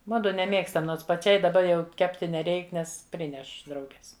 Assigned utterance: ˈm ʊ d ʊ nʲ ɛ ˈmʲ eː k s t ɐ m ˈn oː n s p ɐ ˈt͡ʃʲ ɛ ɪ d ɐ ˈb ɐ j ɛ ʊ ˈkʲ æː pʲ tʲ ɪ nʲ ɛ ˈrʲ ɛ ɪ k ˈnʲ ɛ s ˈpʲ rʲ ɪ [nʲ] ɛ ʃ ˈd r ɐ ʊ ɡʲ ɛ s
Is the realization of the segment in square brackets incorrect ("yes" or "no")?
no